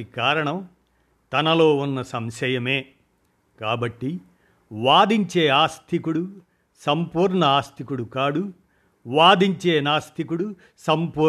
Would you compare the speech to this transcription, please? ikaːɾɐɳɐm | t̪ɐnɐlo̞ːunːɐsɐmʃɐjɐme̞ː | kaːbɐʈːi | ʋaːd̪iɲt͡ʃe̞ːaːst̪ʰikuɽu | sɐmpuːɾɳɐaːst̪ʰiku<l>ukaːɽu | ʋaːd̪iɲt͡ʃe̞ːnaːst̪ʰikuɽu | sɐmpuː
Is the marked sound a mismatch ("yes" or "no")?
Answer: yes